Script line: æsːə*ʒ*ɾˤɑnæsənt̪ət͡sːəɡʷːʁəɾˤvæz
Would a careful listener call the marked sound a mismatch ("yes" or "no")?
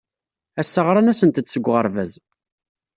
yes